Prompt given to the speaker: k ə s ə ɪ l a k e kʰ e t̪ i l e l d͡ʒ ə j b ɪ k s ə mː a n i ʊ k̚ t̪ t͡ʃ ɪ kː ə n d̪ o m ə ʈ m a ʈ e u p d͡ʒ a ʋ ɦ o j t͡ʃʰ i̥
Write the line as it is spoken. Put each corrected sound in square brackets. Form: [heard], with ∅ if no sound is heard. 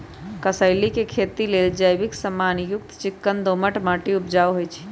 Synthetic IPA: k ə s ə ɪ l [i] k e kʰ e t̪ i l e l d͡ʒ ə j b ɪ k s ə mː a n [j] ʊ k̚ t̪ t͡ʃ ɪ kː ə n d̪ o m ə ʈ m a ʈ [i] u p d͡ʒ a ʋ ɦ o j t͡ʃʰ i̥